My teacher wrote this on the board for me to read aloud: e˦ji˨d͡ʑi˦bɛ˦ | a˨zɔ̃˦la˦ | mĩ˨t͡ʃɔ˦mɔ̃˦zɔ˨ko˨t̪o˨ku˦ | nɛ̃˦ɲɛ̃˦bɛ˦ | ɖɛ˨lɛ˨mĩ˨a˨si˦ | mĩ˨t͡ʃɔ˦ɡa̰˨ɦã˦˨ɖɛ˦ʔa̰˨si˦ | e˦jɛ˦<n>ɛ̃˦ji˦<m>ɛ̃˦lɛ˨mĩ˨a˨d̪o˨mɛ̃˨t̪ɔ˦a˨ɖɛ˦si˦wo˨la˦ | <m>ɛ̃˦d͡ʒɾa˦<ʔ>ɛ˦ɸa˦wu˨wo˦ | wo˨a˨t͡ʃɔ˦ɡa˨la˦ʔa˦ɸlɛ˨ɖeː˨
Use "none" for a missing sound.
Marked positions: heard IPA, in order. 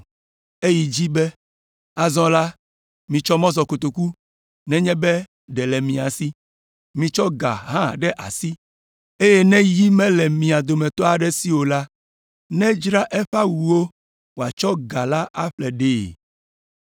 n, m, n, ʔ

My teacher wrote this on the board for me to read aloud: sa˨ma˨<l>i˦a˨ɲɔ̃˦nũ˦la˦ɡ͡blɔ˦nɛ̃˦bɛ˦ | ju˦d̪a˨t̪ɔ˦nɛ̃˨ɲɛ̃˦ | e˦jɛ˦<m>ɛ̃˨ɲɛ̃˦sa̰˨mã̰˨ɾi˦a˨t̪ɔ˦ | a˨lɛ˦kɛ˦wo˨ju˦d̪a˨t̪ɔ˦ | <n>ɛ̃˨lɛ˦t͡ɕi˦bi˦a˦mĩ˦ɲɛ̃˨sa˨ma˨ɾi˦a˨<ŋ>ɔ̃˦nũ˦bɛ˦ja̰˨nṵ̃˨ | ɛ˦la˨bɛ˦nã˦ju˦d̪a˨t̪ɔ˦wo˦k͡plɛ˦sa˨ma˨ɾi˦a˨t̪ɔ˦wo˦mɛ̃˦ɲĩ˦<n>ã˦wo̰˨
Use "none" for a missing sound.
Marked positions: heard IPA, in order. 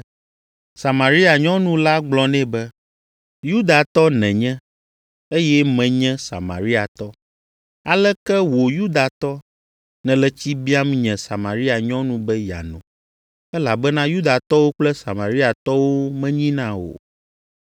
ɾ, m, n, ɲ, n

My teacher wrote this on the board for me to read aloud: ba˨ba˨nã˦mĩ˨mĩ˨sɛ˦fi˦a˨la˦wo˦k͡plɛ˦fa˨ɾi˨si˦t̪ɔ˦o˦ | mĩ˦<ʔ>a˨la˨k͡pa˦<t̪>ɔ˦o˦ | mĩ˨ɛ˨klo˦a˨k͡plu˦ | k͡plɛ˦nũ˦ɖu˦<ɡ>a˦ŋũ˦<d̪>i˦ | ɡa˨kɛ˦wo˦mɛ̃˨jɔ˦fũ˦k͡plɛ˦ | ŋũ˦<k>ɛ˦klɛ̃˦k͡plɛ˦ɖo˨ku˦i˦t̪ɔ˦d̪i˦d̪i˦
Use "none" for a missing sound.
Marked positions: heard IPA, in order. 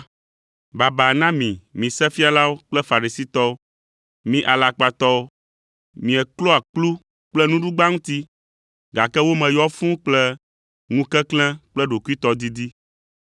ʔ, t̪, ɡ͡b, t̪, k

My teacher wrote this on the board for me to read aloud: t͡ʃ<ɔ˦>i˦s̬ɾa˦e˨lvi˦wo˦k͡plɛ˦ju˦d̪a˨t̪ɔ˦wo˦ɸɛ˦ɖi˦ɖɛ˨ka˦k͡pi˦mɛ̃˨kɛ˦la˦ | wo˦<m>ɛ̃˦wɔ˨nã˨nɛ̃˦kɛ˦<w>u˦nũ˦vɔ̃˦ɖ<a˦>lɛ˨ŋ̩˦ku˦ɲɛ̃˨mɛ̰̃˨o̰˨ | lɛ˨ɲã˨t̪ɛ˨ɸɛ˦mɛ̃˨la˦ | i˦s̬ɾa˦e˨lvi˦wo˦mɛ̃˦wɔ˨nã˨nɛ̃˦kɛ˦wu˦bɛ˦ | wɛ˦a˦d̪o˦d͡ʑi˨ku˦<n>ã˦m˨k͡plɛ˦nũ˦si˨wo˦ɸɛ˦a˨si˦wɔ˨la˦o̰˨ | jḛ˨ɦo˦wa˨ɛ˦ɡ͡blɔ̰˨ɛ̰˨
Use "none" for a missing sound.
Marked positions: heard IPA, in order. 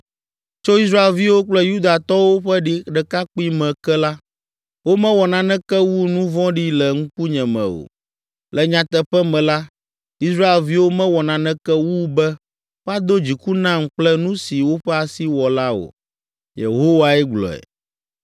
o˦, m, w, i˦, n

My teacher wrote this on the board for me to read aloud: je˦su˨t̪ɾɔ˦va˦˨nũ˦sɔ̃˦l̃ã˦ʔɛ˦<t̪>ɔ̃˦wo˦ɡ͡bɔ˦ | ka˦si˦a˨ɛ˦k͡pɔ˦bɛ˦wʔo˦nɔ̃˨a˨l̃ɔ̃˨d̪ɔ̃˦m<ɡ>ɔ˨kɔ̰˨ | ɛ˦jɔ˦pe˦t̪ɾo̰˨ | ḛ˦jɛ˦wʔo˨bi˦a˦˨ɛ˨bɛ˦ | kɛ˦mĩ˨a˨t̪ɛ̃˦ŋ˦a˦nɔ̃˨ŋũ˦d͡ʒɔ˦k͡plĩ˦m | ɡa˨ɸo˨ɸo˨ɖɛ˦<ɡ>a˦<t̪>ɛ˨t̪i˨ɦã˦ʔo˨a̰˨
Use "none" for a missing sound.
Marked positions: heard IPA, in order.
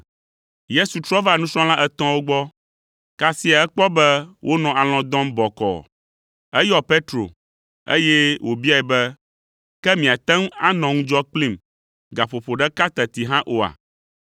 t̪, b, k, t̪

